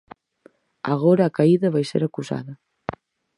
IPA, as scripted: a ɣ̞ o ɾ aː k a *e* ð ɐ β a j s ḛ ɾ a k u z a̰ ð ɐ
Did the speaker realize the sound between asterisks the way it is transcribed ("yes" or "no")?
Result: no